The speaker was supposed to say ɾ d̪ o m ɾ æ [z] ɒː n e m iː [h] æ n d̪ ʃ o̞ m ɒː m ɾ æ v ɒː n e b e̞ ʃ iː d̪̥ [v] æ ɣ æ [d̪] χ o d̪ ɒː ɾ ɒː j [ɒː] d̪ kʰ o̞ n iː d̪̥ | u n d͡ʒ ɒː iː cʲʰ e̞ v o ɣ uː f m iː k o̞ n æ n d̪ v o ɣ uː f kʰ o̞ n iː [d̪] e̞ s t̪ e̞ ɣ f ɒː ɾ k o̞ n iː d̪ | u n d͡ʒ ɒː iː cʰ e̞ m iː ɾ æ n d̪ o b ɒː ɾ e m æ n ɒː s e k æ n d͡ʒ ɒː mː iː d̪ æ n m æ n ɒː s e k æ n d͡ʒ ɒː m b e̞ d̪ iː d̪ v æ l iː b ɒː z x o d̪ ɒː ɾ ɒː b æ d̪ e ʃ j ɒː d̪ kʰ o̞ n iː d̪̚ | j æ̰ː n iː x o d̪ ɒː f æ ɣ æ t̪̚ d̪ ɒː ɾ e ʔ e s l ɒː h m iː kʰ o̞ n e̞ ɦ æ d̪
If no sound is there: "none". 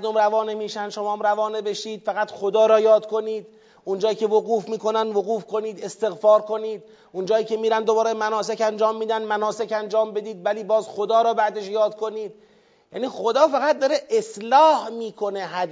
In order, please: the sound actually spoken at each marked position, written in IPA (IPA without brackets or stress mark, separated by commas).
v, ʃ, f, t̪, ɒː, d̪